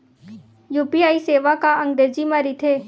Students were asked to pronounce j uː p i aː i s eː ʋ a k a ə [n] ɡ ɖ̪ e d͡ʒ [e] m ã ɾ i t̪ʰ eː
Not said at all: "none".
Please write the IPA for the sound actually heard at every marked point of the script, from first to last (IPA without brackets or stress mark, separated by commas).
ŋ, i